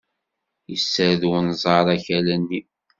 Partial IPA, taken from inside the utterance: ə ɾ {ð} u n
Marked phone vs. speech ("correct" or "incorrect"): correct